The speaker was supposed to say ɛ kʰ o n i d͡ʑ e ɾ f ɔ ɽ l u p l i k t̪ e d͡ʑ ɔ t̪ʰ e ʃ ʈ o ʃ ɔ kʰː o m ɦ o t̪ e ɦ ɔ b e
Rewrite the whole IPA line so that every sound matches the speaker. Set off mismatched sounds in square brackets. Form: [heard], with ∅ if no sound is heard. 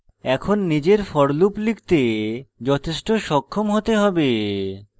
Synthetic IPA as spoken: ɛ kʰ o [nː] i d͡ʑ e ɾ f ɔ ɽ l u p l i k t̪ e d͡ʑ ɔ t̪ʰ e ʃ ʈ o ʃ ɔ kʰː o m ɦ o t̪ e ɦ ɔ b e